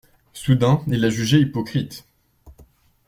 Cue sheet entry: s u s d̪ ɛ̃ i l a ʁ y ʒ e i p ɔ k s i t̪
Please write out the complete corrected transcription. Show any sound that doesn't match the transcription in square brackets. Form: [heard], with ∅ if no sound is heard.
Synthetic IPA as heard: s u [∅] d̪ ɛ̃ i l a [ʒ] y ʒ e i p ɔ k [χ] i t̪